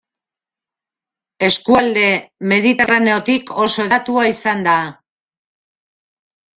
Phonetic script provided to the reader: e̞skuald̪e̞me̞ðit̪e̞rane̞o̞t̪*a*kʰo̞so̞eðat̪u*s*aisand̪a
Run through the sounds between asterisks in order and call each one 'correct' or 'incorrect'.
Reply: incorrect: i, incorrect: none

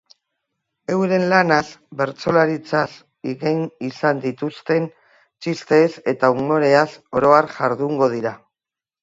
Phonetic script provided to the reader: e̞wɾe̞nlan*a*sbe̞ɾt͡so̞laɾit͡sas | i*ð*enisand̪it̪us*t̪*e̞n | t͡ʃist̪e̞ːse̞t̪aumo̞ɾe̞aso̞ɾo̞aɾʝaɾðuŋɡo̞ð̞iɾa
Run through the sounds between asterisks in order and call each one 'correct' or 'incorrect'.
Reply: correct, incorrect: ɣ, correct

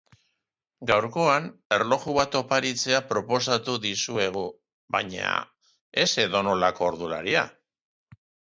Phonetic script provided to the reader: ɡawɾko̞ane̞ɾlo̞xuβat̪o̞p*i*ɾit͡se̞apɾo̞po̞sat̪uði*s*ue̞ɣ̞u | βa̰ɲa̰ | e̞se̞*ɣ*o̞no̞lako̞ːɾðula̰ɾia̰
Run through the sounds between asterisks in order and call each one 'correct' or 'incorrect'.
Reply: incorrect: a, correct, incorrect: ð

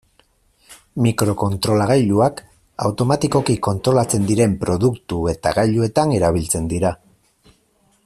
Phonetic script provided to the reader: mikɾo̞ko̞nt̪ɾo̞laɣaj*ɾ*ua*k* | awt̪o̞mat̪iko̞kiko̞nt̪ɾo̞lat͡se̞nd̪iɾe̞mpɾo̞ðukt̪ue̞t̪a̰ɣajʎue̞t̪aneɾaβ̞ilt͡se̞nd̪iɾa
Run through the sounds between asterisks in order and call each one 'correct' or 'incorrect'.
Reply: incorrect: ʎ, correct

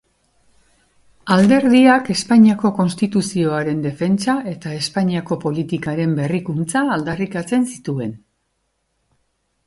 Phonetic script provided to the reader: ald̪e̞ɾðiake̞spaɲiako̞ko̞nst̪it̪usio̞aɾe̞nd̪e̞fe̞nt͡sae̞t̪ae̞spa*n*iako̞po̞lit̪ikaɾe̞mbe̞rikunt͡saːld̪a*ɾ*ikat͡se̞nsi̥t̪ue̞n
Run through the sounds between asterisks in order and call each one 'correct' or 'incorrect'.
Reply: incorrect: ɲ, incorrect: r

